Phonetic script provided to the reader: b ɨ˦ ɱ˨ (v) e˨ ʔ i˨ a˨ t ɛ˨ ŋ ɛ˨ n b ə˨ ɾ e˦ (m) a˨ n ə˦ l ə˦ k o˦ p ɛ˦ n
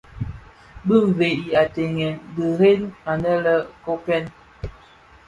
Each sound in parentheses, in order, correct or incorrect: correct, incorrect: n

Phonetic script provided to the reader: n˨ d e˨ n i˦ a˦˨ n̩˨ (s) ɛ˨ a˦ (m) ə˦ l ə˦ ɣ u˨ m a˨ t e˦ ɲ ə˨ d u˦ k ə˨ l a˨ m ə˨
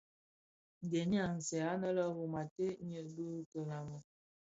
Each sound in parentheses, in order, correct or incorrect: correct, incorrect: n

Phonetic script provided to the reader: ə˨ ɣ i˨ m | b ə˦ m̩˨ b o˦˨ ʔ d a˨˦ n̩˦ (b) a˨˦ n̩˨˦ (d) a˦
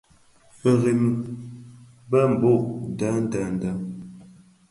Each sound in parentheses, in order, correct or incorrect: incorrect: d, correct

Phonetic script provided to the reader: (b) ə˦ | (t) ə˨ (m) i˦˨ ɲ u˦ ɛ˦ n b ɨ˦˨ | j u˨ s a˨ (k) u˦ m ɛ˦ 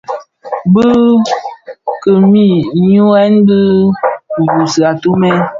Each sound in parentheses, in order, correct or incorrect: correct, incorrect: k, correct, incorrect: t

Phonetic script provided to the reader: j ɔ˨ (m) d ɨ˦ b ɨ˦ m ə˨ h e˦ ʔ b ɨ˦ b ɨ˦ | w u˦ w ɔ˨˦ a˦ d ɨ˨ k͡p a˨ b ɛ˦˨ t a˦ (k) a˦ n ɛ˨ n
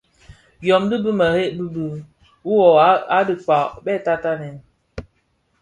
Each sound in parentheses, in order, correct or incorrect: correct, incorrect: t

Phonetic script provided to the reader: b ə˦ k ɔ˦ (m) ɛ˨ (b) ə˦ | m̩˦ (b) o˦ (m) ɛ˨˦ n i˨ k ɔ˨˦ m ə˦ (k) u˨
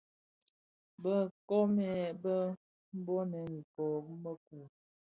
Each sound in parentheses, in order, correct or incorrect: correct, correct, correct, incorrect: n, correct

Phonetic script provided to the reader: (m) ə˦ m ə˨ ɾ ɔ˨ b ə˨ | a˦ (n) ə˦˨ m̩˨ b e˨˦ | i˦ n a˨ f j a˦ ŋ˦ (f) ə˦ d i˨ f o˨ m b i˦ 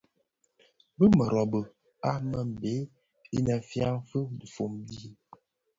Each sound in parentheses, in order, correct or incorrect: incorrect: b, incorrect: m, correct

